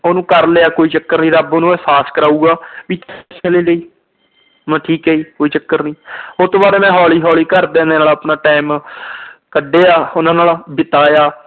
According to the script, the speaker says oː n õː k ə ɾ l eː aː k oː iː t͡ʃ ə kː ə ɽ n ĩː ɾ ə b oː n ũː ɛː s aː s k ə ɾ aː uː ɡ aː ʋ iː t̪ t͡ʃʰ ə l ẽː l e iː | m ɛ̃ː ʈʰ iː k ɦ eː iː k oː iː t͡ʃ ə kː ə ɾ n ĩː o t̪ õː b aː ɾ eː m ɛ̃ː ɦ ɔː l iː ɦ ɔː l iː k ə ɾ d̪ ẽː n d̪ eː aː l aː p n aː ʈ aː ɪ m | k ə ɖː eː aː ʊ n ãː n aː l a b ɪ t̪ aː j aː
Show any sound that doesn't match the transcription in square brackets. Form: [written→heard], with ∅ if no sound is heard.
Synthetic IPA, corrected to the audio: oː n [õː→ũː] k ə ɾ l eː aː k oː iː t͡ʃ ə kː ə [ɽ→ɾ] n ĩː ɾ ə b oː n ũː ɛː s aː s k ə ɾ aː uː ɡ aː ʋ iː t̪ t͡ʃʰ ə l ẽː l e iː | m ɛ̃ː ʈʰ iː k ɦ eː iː k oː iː t͡ʃ ə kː ə ɾ n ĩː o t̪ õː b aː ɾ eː m ɛ̃ː ɦ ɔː l iː ɦ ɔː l iː k ə ɾ d̪ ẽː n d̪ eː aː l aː p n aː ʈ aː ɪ m | k ə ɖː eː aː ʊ n ãː n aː l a b ɪ t̪ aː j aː